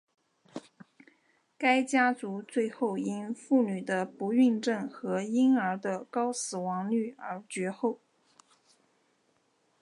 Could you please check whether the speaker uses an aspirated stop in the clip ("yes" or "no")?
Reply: no